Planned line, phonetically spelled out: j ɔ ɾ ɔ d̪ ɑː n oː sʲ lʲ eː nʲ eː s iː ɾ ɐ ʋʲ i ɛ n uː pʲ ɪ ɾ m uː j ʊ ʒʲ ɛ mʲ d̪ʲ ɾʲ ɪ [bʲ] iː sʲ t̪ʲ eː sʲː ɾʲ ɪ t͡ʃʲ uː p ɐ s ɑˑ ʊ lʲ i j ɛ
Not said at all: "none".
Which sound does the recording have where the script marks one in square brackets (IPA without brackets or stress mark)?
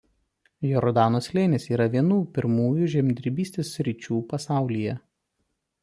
bʲ